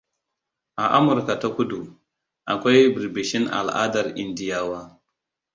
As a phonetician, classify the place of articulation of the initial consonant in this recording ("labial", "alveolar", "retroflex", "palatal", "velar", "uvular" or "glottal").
glottal